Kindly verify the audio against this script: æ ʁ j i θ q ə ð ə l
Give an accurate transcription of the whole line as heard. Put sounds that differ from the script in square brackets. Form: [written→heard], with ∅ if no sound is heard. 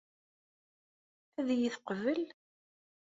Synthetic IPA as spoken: æ [ʁ→ð] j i θ q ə [ð→v] ə l

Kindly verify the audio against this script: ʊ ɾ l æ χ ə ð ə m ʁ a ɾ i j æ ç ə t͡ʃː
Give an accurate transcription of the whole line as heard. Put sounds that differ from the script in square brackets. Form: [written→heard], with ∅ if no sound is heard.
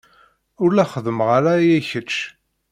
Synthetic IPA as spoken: ʊ ɾ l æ χ ə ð ə m ʁ a ɾ [i→a] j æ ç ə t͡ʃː

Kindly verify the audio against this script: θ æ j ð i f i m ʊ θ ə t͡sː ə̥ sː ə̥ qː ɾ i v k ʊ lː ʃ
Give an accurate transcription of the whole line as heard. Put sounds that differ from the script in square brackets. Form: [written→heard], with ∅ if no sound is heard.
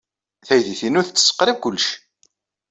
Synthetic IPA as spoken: θ æ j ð i [f→θ] i [m→n] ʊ θ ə t͡sː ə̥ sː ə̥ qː ɾ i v k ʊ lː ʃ

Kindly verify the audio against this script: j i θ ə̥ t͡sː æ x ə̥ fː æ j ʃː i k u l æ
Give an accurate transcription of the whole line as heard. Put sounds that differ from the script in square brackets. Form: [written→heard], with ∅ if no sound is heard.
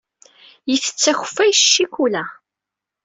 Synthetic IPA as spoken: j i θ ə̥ t͡sː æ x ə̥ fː æ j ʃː i k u l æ

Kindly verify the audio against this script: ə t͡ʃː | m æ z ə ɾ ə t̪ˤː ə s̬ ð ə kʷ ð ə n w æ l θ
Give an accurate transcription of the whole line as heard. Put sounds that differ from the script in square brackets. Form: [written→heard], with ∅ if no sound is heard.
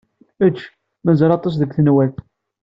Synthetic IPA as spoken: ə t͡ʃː | m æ z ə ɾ [ə→ɑ] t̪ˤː [ə→ɑ] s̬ ð ə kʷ [ð→θ] ə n w æ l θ

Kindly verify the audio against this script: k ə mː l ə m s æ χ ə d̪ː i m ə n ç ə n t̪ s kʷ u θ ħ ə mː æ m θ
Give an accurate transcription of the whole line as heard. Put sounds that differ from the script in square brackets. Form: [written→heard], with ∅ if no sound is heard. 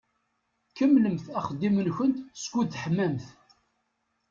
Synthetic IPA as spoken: k ə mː l ə m [s→θ] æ χ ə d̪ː i m ə n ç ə n t̪ s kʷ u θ ħ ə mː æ m θ

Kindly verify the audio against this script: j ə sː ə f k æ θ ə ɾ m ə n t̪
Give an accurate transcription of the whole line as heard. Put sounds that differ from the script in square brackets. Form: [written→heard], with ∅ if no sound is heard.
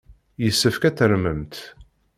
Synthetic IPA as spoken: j ə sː ə f k æ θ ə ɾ m ə [n→m] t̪

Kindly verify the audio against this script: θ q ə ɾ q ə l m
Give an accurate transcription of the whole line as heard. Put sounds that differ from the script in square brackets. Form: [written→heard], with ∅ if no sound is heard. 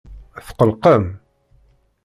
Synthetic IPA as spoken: θ q ə [ɾ→l] q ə [l→∅] m

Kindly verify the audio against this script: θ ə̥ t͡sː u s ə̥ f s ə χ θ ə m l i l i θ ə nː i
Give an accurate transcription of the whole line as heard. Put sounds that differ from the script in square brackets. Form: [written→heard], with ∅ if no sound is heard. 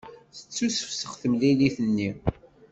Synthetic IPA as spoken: θ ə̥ t͡sː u s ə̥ f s ə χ θ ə m l i l i θ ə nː i

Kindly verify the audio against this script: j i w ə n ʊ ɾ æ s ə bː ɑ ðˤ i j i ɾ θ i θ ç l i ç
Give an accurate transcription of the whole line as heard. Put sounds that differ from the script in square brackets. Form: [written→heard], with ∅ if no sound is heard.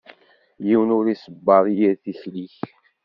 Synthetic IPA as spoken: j i w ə n ʊ ɾ [æ→i] s ə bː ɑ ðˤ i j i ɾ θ i [θ→∅] ç l i ç

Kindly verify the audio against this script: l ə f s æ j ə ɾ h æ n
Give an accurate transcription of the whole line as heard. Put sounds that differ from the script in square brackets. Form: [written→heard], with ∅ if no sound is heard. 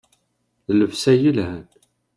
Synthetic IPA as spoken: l ə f s æ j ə [ɾ→l] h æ n

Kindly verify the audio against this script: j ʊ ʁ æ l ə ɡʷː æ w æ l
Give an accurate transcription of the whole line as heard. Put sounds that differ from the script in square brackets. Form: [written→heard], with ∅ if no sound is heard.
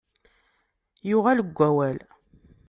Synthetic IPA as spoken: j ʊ ʁ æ l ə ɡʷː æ w æ l

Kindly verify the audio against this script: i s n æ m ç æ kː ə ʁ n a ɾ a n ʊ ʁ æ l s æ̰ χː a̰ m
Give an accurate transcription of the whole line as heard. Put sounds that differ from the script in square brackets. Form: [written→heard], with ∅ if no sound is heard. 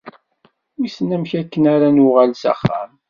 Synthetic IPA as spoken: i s n æ m ç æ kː ə [ʁ→∅] n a ɾ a n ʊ ʁ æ l s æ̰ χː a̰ m

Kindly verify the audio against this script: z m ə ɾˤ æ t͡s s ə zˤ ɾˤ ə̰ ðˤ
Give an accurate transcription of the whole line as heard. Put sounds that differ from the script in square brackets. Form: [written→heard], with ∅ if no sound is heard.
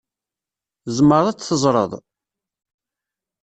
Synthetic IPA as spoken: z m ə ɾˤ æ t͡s [s→θ] ə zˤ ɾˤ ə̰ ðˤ

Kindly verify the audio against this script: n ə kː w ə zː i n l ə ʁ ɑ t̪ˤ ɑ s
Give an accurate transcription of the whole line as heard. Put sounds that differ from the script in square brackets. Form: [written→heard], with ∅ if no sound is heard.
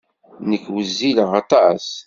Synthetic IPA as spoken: n ə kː w ə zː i [n→∅] l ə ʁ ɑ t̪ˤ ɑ s

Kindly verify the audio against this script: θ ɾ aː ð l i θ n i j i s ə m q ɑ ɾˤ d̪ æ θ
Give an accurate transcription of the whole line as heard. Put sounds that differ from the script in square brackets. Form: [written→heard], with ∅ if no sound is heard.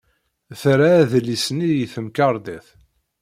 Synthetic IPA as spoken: θ ɾ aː ð l i [θ→s] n i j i [s→θ] ə m [q→k] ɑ ɾˤ d̪ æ θ

